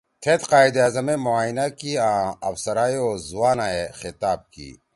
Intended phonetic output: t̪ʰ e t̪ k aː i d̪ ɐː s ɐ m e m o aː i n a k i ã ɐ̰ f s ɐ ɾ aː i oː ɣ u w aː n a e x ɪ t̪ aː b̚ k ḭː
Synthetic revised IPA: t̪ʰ e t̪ q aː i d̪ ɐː z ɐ m e m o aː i n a k i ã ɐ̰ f s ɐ ɾ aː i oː z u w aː n a e x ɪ t̪ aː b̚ k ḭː

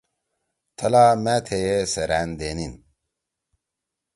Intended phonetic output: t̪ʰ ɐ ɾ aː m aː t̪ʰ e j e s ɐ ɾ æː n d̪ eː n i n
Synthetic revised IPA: t̪ʰ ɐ l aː m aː t̪ʰ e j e s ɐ ɾ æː n d̪ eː n i n

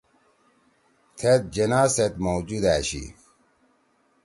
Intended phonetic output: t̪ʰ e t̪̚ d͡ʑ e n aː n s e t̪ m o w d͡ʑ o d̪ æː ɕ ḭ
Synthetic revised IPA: t̪ʰ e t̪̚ d͡ʑ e n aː s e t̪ m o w d͡ʑ u d̪ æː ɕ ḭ

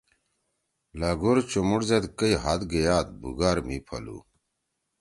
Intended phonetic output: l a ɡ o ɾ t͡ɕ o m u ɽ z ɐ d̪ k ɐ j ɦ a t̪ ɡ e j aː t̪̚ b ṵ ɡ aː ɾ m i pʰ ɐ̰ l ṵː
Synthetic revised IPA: l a ɡ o ɾ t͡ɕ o m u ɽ z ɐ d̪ k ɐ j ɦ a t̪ ɡ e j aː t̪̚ b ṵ ɡ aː ɾ m i pʰ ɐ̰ l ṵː

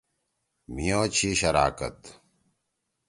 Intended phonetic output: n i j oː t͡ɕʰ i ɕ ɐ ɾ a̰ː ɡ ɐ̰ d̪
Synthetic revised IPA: m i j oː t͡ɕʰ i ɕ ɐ ɾ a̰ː k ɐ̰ t̪

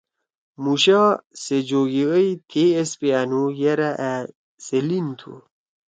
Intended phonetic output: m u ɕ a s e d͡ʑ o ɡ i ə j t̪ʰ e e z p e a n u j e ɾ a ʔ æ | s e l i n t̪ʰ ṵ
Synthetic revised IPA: m u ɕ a s e d͡ʑ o ɡ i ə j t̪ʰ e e s p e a n u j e ɾ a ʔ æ | s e l i n t̪ʰ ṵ

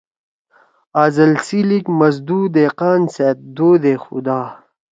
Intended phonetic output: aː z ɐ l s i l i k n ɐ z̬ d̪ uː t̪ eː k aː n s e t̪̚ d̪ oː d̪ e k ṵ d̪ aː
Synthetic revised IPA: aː z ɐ l s i l i k m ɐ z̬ d̪ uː d̪ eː q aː n s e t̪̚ d̪ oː d̪ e x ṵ d̪ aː

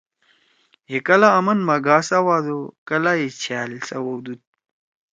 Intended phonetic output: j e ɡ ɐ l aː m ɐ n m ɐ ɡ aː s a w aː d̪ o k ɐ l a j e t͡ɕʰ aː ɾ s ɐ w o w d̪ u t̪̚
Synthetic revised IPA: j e k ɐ l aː m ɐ n m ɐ ɡ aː s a w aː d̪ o k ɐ l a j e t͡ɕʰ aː l s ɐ w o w d̪ u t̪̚

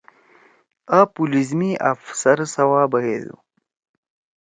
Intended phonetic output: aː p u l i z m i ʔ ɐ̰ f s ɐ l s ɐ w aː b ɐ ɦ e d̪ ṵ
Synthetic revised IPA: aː p u l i z m i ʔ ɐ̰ f s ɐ ɾ s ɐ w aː b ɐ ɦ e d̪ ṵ

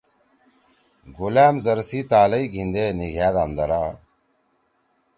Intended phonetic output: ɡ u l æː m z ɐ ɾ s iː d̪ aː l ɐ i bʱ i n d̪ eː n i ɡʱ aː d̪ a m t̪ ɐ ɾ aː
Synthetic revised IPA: ɡ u l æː m z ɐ ɾ s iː t̪ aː l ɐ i ɡʱ i n d̪ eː n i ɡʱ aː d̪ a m d̪ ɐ ɾ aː

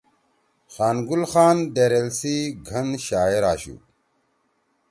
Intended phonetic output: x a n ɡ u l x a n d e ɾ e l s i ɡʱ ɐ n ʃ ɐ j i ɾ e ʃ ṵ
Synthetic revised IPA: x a n ɡ u l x a n d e ɾ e l s i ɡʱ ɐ n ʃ a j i ɾ a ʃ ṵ

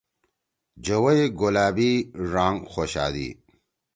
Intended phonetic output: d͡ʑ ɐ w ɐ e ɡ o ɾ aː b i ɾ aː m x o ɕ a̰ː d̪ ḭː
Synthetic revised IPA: d͡ʑ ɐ w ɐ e ɡ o l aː b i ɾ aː ŋ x o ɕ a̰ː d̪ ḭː

